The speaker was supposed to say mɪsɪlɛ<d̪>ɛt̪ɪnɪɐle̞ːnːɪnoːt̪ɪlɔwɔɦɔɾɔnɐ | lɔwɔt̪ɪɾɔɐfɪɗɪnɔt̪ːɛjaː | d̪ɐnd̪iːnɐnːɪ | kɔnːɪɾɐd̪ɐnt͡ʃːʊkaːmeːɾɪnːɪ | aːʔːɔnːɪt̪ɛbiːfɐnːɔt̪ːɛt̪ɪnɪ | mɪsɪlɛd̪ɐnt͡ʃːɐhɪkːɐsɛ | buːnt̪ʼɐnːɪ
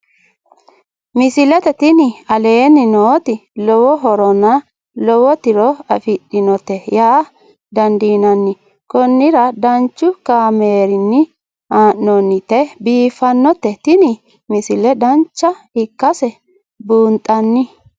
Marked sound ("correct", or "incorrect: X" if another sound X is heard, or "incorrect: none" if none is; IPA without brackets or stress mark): incorrect: t̪